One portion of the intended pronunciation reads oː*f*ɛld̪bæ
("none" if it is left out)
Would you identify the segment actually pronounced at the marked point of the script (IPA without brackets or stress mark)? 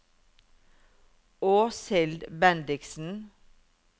s